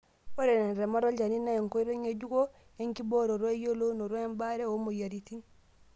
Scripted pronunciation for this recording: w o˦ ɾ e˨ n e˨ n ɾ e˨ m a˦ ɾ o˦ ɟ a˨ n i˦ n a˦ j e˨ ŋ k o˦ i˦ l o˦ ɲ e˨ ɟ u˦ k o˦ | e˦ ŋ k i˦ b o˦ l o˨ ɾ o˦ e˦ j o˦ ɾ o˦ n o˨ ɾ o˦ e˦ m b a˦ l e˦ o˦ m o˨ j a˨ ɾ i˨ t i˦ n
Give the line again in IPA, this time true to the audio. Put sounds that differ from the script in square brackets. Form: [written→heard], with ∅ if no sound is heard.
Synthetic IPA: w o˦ ɾ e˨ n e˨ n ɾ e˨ m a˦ ɾ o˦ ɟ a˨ n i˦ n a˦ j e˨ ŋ k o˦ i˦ [l→ɾ] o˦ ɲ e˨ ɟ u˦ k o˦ | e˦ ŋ k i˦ b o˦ [l→ɾ] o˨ ɾ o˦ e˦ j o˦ [ɾ→l] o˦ n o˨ ɾ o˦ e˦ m b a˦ [l→ɾ] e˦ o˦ m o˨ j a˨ ɾ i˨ t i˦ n